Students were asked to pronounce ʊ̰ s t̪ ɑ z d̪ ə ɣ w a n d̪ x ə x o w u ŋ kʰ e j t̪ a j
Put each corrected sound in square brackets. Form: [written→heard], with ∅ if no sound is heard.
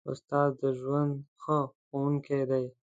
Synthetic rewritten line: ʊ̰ s t̪ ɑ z d̪ ə [ɣ→ʒ] w a n d̪ x ə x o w u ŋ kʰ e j [t̪→d̪] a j